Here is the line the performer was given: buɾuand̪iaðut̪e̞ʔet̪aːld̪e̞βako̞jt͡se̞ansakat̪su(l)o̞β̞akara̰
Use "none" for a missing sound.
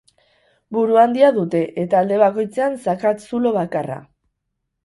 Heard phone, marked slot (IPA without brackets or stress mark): l